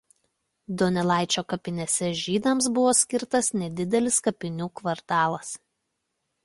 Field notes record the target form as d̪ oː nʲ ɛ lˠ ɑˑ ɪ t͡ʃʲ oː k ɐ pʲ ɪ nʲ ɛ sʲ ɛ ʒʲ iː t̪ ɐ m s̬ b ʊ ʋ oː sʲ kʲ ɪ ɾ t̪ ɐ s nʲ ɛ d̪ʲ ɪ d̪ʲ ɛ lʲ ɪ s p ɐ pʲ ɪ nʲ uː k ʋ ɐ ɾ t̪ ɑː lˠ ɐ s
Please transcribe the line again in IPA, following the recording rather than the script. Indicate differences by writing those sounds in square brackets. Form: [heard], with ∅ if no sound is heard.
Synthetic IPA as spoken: d̪ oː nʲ ɛ lˠ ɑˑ ɪ t͡ʃʲ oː k ɐ pʲ ɪ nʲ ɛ sʲ ɛ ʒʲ iː [d̪] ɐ m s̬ b ʊ ʋ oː sʲ kʲ ɪ ɾ t̪ ɐ s nʲ ɛ d̪ʲ ɪ d̪ʲ ɛ lʲ ɪ s [k] ɐ pʲ ɪ nʲ uː k ʋ ɐ ɾ t̪ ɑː lˠ ɐ s

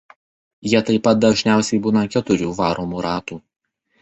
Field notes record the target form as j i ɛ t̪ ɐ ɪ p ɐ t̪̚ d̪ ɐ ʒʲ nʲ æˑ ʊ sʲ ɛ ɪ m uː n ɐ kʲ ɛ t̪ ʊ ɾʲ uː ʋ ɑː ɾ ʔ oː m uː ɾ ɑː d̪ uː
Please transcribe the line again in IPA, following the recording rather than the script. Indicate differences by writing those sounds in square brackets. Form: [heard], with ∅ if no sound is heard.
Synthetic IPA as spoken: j i ɛ t̪ ɐ ɪ p ɐ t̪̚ d̪ ɐ ʒʲ nʲ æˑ ʊ sʲ ɛ ɪ [b] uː n ɐ kʲ ɛ t̪ ʊ ɾʲ uː ʋ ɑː ɾ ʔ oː m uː ɾ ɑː [t̪] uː

